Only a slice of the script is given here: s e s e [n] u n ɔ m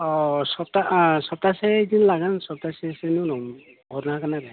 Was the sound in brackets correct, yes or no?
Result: yes